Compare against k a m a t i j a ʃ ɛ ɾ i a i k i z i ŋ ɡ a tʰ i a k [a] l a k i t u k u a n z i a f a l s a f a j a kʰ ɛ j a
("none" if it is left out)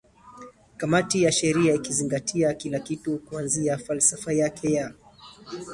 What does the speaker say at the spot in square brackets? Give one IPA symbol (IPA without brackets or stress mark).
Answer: i